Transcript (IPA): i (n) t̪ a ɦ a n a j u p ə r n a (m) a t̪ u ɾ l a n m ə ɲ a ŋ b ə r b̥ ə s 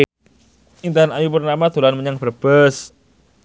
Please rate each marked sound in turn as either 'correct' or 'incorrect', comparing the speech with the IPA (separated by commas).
correct, correct